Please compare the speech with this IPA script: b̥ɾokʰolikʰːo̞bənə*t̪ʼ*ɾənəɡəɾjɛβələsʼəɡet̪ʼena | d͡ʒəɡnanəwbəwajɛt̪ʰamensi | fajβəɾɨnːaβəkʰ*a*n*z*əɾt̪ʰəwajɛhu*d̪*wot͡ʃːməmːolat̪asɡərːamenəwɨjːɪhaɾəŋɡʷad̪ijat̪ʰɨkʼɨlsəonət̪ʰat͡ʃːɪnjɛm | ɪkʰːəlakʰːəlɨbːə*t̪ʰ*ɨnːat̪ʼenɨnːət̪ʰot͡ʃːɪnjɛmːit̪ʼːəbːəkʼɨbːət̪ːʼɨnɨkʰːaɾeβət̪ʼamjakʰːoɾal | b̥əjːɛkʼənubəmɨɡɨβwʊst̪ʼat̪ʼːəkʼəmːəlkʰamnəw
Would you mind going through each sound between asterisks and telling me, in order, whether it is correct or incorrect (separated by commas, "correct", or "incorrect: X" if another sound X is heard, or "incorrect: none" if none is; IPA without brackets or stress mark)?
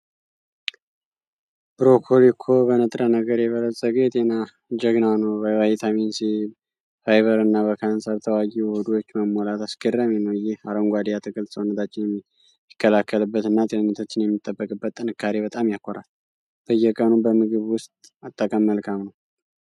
correct, correct, incorrect: s, correct, incorrect: t̪